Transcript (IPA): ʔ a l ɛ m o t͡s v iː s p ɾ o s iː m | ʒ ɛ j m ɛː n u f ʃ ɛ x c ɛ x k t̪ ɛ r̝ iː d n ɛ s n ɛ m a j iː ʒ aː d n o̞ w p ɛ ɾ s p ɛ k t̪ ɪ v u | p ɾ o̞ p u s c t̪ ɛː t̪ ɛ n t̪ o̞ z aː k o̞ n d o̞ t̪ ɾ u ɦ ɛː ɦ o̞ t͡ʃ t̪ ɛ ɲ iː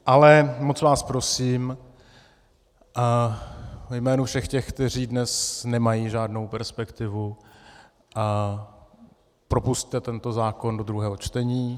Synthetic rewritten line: ʔ a l ɛ m o t͡s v aː s p ɾ o s iː m | v ɛ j m ɛː n u f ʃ ɛ x c ɛ x k t̪ ɛ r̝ iː d n ɛ s n ɛ m a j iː ʒ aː d n o̞ w p ɛ ɾ s p ɛ k t̪ ɪ v u | p ɾ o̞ p u s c t̪ ɛ t̪ ɛ n t̪ o̞ z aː k o̞ n d o̞ d̪ ɾ u ɦ ɛː ɦ o̞ t͡ʃ t̪ ɛ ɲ iː